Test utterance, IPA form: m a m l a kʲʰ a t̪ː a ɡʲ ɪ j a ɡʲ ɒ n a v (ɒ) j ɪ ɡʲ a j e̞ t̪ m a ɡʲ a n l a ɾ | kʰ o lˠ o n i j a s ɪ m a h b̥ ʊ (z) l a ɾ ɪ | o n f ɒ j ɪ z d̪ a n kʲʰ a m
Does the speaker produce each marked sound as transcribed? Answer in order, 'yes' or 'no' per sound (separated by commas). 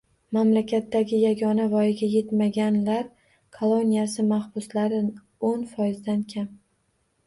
yes, no